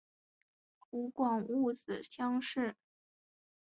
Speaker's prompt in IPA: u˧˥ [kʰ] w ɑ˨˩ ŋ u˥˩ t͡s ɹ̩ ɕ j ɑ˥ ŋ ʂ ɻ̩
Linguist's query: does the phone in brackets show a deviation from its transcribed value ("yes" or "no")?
yes